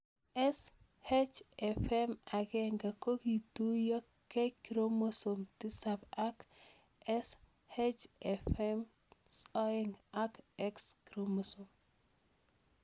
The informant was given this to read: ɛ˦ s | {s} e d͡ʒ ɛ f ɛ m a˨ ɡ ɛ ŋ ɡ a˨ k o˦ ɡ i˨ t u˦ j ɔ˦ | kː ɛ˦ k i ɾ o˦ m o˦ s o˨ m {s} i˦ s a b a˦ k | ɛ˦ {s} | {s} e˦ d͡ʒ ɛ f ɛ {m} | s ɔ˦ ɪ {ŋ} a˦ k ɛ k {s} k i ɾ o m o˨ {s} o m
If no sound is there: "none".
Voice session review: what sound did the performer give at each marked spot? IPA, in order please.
h, t, s, h, m, ŋ, s, s

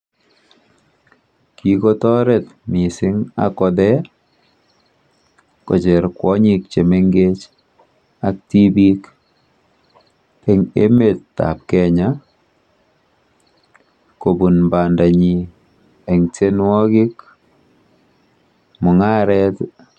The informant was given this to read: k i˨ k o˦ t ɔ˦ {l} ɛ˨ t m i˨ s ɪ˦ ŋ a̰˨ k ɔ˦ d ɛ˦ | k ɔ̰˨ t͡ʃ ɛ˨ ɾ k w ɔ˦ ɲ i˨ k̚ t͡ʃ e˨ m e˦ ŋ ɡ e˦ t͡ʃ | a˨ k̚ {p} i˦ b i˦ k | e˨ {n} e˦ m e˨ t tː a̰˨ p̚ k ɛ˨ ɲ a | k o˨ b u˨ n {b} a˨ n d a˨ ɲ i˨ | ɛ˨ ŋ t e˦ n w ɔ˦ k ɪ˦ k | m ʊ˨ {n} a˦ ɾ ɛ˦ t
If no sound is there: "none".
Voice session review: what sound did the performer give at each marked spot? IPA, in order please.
ɾ, t, ŋ, b, ŋ

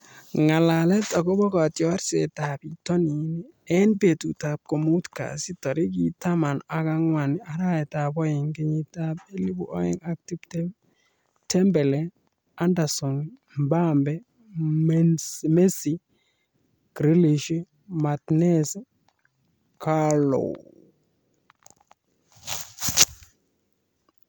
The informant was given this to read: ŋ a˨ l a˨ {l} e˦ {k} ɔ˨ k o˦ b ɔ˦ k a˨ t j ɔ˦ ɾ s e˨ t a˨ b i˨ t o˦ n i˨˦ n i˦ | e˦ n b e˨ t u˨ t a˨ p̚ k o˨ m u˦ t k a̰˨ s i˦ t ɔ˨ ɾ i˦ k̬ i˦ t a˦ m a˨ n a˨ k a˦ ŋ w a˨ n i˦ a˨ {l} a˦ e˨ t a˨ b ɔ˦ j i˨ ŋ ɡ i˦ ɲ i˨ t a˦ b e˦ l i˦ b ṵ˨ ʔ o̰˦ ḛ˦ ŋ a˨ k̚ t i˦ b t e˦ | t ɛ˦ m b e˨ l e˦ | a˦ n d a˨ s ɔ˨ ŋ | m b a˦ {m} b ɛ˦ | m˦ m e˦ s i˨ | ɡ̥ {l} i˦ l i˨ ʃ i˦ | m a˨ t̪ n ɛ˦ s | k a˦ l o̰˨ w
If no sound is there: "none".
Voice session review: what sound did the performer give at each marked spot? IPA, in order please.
l, t, ɾ, m, ɾ

